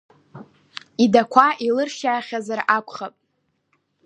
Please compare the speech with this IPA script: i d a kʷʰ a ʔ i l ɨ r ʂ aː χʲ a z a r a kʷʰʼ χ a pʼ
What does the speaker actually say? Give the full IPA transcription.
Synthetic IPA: i d a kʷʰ a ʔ i l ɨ r ʃ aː χʲ a z a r a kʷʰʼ χ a pʼ